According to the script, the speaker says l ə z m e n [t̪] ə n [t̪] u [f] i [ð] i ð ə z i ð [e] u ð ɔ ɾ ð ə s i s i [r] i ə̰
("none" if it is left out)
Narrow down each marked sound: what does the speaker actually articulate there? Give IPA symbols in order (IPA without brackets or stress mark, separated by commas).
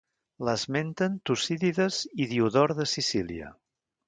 t̪, t̪, s, ð, i, l